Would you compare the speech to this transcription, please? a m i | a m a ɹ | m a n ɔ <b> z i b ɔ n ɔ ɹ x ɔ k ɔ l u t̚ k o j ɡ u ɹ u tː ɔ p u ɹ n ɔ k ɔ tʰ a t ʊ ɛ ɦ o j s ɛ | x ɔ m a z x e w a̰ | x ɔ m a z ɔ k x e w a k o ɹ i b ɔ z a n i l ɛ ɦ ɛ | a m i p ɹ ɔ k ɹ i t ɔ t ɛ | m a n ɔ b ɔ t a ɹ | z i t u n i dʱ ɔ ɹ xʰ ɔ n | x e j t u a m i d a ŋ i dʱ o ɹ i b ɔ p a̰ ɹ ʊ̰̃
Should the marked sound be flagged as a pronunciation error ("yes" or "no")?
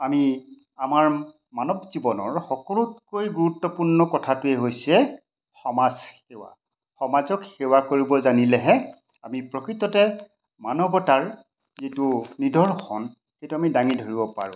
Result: no